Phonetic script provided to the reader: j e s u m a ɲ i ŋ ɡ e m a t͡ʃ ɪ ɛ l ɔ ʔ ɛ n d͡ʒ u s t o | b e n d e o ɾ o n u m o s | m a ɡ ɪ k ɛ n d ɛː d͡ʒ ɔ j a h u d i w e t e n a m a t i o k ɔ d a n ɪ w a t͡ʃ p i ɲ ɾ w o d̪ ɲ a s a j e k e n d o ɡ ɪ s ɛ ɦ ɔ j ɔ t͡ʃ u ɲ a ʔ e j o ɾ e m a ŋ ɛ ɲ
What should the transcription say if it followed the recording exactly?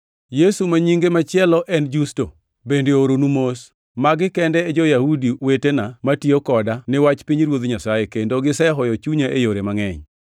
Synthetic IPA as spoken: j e s u m a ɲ i ŋ ɡ e m a t͡ʃ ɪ ɛ l ɔ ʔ ɛ n d͡ʒ u s t o | b e n d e o ɾ o n u m o s | m a ɡ ɪ k ɛ n d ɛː d͡ʒ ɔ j a h u d i w e t e n a m a t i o k ɔ d a n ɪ w a t͡ʃ p i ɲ ɾ w o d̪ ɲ a s a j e k e n d o ɡ ɪ s ɛ ɦ ɔ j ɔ t͡ʃ u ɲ a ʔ e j o ɾ e m a ŋ ɛ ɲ